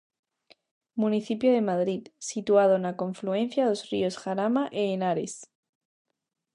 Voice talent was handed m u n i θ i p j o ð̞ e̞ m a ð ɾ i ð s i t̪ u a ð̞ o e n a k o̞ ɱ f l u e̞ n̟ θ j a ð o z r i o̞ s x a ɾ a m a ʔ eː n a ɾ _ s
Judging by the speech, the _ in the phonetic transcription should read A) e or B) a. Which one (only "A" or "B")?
A